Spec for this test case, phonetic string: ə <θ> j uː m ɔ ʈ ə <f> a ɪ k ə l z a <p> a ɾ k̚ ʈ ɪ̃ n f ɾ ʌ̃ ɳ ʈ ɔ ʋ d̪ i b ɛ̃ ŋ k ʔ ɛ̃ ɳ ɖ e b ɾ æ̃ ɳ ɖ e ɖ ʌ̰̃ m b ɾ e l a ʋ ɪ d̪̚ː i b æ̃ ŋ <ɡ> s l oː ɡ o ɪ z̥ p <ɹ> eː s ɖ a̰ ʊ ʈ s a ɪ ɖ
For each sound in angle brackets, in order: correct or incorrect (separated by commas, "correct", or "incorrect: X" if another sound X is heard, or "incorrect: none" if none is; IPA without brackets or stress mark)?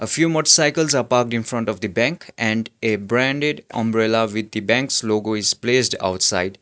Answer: incorrect: f, incorrect: s, correct, incorrect: k, incorrect: l